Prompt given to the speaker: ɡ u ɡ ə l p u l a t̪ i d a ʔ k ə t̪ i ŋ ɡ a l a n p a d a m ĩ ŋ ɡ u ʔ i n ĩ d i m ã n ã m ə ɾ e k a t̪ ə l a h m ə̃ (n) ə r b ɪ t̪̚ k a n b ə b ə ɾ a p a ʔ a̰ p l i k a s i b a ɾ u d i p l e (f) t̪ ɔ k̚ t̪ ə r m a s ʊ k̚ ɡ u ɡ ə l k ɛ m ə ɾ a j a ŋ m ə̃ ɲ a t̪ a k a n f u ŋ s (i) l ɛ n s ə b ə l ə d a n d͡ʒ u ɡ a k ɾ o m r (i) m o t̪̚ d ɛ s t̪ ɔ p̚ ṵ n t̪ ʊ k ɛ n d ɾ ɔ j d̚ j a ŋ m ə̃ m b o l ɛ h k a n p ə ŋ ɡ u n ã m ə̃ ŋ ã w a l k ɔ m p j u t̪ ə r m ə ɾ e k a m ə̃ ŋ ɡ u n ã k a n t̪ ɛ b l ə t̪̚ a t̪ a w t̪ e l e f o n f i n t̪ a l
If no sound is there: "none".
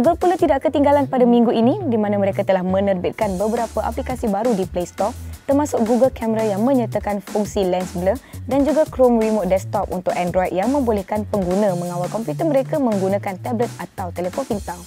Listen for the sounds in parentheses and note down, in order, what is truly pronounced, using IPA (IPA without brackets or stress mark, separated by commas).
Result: n, s, i, i